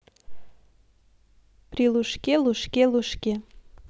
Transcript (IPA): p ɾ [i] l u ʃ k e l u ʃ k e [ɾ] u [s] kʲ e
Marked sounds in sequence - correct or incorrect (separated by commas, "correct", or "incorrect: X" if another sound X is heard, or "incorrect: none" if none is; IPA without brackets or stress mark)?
correct, incorrect: l, incorrect: ʃ